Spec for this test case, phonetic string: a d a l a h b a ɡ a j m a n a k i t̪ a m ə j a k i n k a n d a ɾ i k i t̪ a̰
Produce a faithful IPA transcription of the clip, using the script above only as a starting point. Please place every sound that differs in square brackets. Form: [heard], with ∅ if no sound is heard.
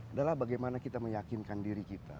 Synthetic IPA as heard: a d a l a h b a ɡ a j m a n a k i t̪ a m ə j a k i n k a n d [i] ɾ i k i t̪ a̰